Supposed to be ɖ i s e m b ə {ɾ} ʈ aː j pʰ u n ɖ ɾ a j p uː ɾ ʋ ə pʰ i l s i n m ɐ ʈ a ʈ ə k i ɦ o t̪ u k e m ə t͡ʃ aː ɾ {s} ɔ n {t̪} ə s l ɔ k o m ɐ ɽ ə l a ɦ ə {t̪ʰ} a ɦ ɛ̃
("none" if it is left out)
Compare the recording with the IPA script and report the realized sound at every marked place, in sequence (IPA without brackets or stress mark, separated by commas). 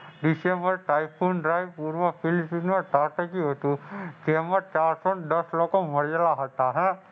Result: ɾ, s, d̪, t̪